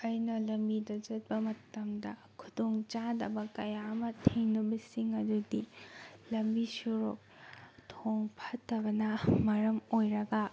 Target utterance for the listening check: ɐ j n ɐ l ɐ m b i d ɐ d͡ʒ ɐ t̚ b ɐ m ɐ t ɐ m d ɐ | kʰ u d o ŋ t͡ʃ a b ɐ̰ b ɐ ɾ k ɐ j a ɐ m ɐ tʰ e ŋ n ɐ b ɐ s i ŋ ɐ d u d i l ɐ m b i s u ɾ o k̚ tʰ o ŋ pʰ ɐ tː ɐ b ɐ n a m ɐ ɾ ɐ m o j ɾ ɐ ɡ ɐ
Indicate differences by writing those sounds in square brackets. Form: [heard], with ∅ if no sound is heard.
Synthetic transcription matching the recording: ɐ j n ɐ l ɐ m b i d ɐ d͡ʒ ɐ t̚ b ɐ m ɐ t ɐ m d ɐ | kʰ u d o ŋ t͡ʃ a [d] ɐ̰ b ɐ [∅] k ɐ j a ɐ m ɐ tʰ e ŋ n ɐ b ɐ s i ŋ ɐ d u d i l ɐ m b i s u ɾ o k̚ tʰ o ŋ pʰ ɐ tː ɐ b ɐ n [ɐ] m ɐ ɾ ɐ m o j ɾ ɐ ɡ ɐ